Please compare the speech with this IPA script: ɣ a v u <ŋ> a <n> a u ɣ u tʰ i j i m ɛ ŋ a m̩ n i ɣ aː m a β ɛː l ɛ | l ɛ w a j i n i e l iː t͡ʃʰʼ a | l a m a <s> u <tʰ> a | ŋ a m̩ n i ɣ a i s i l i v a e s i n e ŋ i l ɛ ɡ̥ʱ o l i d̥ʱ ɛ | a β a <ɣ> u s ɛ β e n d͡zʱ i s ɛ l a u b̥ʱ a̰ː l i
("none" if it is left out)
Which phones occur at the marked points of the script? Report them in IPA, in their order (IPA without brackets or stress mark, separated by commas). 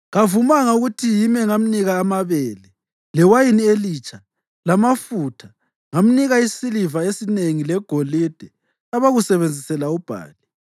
m, ŋ, f, tʰ, ɣ